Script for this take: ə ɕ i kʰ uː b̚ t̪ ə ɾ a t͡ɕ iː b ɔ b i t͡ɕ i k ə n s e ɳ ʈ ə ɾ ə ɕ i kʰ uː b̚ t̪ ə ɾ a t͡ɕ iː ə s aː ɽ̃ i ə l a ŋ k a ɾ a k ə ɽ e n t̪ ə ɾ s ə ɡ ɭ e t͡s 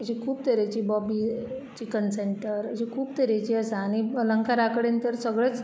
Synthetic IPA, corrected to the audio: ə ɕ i kʰ uː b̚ t̪ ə ɾ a t͡ɕ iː b ɔ b i t͡ɕ i k ə n s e ɳ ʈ ə ɾ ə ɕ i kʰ uː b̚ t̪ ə ɾ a t͡ɕ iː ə s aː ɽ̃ i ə l ə ŋ k a ɾ a k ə ɽ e n t̪ ə ɾ s ə ɡ ɭ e t͡s